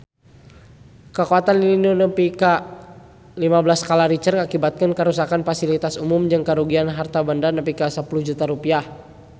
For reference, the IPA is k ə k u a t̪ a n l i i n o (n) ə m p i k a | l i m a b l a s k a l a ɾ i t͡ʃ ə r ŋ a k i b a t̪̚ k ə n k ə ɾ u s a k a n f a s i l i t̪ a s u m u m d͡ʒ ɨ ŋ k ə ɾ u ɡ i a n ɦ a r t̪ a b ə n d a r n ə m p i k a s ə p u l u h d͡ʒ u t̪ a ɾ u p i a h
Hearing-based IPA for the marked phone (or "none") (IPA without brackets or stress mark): n